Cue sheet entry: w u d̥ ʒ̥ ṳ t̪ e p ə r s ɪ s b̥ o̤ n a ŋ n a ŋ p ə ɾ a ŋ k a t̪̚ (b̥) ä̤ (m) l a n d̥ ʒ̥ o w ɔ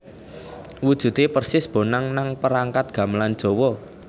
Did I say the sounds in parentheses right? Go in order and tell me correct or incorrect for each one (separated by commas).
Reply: incorrect, correct